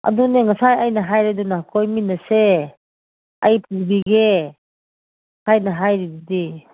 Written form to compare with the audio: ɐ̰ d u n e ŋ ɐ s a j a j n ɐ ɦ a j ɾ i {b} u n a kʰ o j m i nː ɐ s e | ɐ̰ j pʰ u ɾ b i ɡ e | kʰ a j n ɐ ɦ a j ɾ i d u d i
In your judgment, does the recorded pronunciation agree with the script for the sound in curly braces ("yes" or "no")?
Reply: no